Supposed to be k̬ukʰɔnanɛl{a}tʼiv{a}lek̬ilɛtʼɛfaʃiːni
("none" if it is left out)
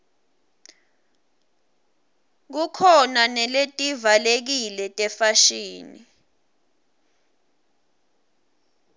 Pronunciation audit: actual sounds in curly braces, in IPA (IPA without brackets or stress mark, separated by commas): e, a